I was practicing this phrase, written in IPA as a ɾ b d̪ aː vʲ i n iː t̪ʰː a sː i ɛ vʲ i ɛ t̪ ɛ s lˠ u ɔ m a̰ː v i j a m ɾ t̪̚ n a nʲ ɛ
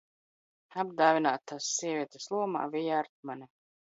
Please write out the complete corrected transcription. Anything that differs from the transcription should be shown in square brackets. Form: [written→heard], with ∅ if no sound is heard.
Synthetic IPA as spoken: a [ɾ→∅] b d̪ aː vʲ i n [iː→aː] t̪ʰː a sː i ɛ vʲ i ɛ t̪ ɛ s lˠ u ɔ m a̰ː v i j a [m→∅] ɾ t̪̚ [n→m] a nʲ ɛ